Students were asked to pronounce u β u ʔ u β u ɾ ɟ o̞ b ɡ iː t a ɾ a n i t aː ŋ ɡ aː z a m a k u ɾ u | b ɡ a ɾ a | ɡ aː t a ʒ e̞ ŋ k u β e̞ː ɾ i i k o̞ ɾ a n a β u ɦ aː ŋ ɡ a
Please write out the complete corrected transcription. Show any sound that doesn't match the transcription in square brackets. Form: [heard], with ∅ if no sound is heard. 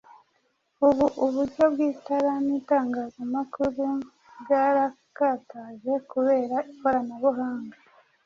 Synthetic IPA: u β u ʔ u β u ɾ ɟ o̞ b ɡ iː t a ɾ a n i t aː ŋ ɡ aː z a m a k u ɾ u | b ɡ a ɾ a | [k] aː t a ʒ e̞ [∅] k u β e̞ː ɾ [a] i k o̞ ɾ a n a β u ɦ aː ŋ ɡ a